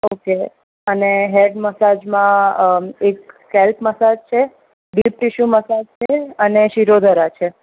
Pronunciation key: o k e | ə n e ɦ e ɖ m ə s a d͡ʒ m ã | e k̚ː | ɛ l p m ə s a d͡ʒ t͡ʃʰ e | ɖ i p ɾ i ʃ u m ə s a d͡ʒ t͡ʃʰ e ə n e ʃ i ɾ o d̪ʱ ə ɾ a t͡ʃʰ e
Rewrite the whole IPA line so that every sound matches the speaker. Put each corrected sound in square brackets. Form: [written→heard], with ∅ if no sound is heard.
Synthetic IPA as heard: o k e | ə n e ɦ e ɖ m ə s a d͡ʒ m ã | e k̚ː | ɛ l p m ə s a d͡ʒ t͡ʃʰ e | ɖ i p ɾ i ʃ u m ə s a d͡ʒ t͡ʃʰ e ə n e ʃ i ɾ o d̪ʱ ə ɾ a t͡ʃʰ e